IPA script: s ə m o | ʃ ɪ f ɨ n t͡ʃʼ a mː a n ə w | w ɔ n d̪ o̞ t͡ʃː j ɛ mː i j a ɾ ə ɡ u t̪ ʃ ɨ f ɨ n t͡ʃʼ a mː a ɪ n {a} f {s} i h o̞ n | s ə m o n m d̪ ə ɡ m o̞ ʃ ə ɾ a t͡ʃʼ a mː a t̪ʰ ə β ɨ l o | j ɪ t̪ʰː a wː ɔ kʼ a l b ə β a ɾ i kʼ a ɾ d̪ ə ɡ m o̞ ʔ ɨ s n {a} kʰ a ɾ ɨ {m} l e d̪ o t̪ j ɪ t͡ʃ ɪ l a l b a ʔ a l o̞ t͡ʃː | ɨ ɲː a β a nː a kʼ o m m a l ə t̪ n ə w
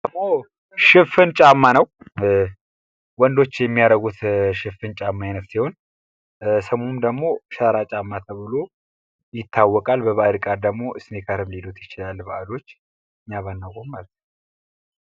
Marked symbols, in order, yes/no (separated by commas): no, yes, no, yes